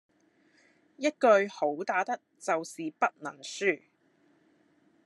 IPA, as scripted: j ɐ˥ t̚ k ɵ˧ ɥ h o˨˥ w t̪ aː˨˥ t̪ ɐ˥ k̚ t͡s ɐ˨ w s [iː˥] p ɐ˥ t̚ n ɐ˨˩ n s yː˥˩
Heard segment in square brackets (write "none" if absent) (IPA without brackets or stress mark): iː˨